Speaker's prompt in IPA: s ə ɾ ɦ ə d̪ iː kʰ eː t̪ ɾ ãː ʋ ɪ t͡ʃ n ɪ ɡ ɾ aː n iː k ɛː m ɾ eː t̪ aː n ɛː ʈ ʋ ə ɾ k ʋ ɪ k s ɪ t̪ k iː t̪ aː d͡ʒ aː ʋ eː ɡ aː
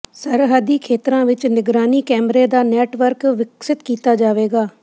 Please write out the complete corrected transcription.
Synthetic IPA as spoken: s ə ɾ ɦ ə d̪ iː kʰ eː t̪ ɾ ãː ʋ ɪ t͡ʃ n ɪ ɡ ɾ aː n iː k ɛː m ɾ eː d̪ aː n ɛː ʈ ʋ ə ɾ k ʋ ɪ k s ɪ t̪ k iː t̪ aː d͡ʒ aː ʋ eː ɡ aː